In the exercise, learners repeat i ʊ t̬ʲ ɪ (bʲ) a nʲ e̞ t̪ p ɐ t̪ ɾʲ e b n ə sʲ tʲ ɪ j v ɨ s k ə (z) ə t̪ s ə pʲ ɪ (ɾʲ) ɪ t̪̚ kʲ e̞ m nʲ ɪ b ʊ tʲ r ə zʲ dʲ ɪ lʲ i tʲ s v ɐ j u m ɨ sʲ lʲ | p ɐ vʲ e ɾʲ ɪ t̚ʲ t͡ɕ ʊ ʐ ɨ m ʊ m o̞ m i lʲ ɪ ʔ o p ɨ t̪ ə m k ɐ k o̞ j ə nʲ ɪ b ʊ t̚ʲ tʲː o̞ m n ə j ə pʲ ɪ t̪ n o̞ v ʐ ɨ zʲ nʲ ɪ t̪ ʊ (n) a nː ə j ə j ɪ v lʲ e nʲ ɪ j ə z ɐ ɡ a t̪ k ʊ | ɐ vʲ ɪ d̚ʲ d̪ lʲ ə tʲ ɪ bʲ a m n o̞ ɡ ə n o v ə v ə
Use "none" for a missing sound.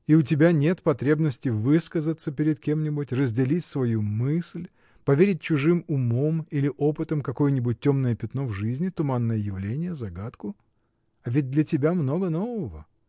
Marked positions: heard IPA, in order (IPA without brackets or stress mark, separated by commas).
bʲ, z, ɾʲ, m